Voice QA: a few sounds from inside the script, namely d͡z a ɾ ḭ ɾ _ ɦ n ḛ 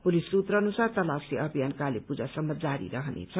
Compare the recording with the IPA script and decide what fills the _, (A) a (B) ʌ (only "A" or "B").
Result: B